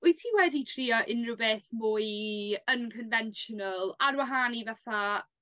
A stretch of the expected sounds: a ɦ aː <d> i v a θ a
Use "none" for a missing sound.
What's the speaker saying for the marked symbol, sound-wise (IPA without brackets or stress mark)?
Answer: n